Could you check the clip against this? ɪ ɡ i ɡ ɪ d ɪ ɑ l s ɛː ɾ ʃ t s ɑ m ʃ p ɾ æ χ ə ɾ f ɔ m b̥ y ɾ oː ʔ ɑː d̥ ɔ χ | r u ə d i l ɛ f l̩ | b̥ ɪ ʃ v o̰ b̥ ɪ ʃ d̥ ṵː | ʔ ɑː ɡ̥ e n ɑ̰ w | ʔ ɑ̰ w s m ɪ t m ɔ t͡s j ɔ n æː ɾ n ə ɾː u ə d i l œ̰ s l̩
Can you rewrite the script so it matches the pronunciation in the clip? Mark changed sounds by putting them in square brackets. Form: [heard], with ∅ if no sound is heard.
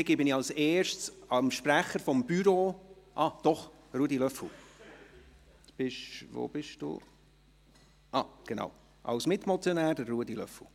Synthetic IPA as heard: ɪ ɡ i [b] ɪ [n] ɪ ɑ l s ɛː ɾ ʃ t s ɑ m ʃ p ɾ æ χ ə ɾ f ɔ m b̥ y ɾ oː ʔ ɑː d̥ ɔ χ | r u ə d i l [œ] f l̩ | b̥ ɪ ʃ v o̰ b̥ ɪ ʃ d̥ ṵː | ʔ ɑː ɡ̥ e n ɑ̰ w | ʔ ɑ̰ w s m ɪ t m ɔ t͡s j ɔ n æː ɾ [d] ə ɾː u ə d i l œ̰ [f] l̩

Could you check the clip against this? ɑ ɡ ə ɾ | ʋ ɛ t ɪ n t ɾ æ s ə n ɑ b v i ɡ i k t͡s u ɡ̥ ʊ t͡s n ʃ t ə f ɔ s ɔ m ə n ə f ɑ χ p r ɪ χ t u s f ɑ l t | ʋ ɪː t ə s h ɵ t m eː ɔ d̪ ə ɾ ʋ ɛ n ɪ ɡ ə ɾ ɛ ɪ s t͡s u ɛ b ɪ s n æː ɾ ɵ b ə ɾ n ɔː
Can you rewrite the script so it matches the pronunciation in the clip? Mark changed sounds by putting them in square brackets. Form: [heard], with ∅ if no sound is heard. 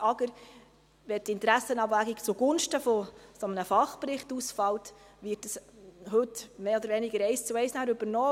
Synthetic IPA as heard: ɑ ɡ ə ɾ | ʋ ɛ t ɪ n t ɾ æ s ə n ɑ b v [æ] ɡ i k t͡s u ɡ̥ ʊ [∅] n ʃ t ə f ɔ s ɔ m ə n ə f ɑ χ p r ɪ χ t u s f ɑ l t | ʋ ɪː t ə s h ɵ t m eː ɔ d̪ ə ɾ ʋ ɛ n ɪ ɡ ə ɾ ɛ ɪ s t͡s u ɛ [∅] ɪ s n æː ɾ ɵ b ə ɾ n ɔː

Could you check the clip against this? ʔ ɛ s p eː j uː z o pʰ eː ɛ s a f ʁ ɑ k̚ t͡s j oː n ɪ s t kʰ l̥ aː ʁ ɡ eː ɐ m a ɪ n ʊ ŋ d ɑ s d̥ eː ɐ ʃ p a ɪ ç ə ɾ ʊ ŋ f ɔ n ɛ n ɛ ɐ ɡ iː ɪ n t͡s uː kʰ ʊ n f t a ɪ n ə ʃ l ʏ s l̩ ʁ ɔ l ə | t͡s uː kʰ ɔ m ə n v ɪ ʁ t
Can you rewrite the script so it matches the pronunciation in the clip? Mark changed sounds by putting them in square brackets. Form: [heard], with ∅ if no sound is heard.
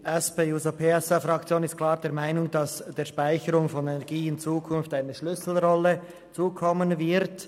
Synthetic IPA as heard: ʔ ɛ s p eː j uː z o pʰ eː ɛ s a f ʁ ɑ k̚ t͡s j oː n ɪ s t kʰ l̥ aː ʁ [d] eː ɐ m a ɪ n ʊ ŋ d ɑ s d̥ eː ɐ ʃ p a ɪ ç ə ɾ ʊ ŋ f ɔ n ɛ n ɛ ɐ ɡ iː ɪ n t͡s uː kʰ ʊ n f t a ɪ n ə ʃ l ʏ s l̩ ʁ ɔ l ə | t͡s uː kʰ ɔ m ə n v ɪ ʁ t

